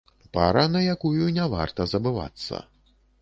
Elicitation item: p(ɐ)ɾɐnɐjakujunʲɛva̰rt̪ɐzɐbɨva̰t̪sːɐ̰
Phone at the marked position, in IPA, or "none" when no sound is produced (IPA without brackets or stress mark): a